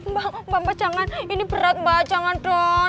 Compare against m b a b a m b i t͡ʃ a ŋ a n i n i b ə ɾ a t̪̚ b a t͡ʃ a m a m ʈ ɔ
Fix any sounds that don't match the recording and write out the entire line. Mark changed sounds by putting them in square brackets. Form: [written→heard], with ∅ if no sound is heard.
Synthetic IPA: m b a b a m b [i→a] t͡ʃ a ŋ a n i n i b ə ɾ a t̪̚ b a t͡ʃ a [m→ŋ] a [m→n] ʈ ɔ